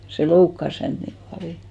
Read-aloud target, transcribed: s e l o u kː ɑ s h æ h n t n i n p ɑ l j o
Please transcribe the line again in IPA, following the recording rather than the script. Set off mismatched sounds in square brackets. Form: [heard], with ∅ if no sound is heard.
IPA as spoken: s e l o u kː ɑ s h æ [∅] n t n i [m] p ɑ l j o